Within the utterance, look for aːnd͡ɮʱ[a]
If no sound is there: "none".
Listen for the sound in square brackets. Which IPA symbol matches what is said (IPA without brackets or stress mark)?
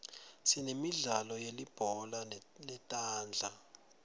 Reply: a